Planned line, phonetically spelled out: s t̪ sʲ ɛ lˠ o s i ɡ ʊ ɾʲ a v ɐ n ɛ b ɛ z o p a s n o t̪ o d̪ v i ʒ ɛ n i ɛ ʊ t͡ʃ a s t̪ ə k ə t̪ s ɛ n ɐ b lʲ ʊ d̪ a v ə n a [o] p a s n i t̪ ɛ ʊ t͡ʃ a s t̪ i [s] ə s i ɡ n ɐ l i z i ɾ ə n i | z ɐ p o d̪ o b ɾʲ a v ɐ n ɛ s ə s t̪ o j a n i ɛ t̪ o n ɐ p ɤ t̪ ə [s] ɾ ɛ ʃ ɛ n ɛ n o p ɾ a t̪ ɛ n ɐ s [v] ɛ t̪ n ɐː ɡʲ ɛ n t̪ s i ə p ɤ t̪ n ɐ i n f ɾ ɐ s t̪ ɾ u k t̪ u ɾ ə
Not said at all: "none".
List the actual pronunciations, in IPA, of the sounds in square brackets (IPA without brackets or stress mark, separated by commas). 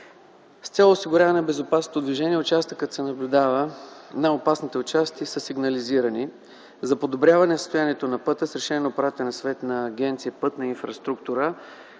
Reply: o, s, s, v